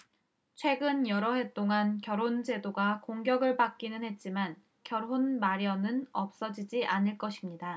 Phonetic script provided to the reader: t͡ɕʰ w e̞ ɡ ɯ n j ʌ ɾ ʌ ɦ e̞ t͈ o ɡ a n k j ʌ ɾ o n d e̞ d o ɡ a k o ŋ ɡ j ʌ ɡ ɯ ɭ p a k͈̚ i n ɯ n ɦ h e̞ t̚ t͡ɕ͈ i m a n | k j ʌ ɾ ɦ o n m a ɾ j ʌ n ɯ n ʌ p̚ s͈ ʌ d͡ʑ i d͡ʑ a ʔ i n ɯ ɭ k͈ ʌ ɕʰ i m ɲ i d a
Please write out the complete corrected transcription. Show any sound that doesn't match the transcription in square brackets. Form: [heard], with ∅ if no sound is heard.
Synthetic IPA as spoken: t͡ɕʰ w e̞ ɡ ɯ n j ʌ ɾ ʌ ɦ e̞ t͈ o [ŋ] a n k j ʌ ɾ o n [d͡ʑ] e̞ d o ɡ a k o ŋ ɡ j ʌ ɡ ɯ ɭ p a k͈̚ i n ɯ n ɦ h e̞ t̚ t͡ɕ͈ i m a n | k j ʌ ɾ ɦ o n m a ɾ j ʌ n ɯ n ʌ p̚ s͈ ʌ d͡ʑ i d͡ʑ [i] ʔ [a] n ɯ ɭ k͈ ʌ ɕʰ i m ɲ i d a